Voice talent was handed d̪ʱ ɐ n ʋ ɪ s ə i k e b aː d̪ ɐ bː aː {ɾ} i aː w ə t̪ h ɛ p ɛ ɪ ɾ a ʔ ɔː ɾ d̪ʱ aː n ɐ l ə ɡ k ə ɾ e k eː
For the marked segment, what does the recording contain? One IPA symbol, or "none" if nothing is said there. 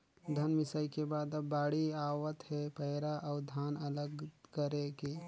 ɽ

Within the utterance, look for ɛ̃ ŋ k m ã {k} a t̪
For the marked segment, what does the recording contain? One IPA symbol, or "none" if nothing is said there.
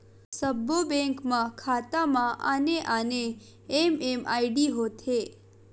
kʰ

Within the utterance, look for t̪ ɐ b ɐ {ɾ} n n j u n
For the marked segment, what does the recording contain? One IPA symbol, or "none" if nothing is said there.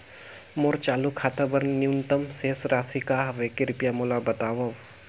ɾ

